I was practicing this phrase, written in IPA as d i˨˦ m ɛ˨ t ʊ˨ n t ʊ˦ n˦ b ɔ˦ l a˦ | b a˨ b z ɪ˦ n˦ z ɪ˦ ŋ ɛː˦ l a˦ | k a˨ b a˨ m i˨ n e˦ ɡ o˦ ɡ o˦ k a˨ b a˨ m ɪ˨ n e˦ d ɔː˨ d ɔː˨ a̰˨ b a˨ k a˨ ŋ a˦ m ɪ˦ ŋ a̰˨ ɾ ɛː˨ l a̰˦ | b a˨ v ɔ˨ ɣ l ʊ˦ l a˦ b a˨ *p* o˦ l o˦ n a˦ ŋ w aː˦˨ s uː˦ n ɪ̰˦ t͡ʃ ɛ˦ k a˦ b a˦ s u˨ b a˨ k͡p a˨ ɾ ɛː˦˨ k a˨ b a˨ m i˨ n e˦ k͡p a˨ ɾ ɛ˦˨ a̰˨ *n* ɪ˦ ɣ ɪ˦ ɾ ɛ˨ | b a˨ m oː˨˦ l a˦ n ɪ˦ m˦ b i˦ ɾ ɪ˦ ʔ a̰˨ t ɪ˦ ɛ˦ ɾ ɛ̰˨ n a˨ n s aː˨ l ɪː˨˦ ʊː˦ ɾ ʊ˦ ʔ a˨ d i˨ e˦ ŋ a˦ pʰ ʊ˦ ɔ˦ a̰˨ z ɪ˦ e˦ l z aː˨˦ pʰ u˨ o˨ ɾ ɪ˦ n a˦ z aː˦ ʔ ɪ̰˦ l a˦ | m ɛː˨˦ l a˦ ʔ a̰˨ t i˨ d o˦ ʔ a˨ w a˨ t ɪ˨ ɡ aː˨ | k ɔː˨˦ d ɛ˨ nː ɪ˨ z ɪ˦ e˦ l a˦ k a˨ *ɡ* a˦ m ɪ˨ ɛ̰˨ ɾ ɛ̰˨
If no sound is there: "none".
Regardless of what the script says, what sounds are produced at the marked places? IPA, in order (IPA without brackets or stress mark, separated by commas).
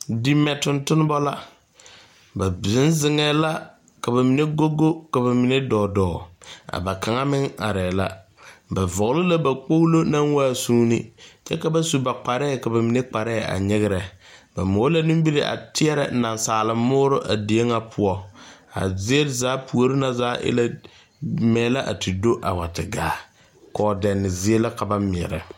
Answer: k͡p, ɲ, b